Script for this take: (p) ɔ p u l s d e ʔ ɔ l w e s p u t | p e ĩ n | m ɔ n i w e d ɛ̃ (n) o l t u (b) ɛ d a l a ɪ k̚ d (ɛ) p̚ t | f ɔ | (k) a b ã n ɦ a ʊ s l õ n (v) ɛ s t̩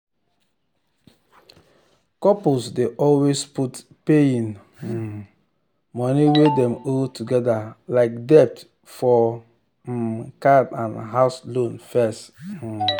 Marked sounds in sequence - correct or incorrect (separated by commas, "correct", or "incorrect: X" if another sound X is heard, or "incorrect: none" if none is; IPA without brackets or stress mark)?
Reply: incorrect: k, incorrect: m, incorrect: ɡ, correct, correct, incorrect: f